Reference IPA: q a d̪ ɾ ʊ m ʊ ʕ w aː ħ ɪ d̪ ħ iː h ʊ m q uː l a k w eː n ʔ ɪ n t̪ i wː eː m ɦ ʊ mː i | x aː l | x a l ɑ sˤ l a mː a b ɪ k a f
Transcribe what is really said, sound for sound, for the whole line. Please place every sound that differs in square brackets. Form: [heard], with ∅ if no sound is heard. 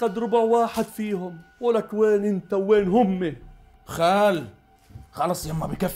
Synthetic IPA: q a d̪ ɾ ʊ [b] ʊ ʕ w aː ħ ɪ d̪ [f] iː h ʊ m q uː l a k w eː n ʔ ɪ n t̪ [a] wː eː [n] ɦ ʊ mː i | x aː l | x [ɑ] l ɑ sˤ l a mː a b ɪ k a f